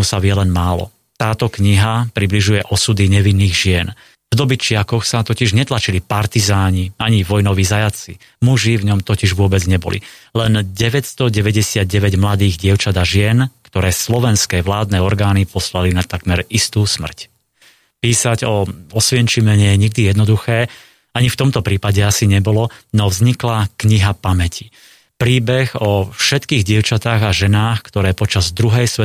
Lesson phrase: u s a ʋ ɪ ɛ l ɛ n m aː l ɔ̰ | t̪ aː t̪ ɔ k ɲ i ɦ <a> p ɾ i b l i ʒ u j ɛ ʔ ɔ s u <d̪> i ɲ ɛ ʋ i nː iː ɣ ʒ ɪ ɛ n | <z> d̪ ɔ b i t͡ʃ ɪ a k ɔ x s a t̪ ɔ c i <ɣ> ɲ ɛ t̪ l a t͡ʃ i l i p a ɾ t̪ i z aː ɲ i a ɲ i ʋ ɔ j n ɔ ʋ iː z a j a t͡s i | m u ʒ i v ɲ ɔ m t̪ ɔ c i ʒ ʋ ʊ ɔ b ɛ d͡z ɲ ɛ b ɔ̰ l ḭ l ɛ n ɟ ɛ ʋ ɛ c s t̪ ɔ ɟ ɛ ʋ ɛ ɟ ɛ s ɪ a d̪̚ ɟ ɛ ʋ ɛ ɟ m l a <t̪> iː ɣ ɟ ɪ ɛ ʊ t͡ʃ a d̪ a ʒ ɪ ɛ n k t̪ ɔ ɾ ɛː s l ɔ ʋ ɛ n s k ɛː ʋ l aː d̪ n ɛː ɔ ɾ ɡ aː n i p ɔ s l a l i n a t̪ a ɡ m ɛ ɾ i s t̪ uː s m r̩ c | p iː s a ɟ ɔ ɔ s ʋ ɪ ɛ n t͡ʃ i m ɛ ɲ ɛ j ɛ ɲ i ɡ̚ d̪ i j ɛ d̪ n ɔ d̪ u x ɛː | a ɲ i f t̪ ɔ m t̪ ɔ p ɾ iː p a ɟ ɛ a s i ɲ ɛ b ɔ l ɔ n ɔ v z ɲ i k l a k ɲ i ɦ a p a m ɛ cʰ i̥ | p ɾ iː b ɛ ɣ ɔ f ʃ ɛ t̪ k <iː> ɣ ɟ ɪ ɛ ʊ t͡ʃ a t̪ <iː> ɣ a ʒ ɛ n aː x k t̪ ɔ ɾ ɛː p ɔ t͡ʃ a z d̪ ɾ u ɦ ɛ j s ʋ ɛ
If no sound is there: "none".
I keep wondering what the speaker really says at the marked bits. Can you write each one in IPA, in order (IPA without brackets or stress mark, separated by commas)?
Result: a, d̪, v, ʒ, d̪, iː, aː